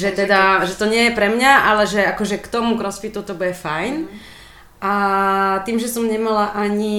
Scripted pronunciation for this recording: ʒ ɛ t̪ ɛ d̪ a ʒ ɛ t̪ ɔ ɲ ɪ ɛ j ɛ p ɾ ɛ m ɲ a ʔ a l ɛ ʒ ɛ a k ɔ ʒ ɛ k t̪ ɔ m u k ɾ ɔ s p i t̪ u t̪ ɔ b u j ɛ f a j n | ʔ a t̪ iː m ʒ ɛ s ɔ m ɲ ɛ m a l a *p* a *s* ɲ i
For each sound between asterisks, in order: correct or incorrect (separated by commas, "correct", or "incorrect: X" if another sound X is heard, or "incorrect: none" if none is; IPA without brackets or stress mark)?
incorrect: ʔ, incorrect: none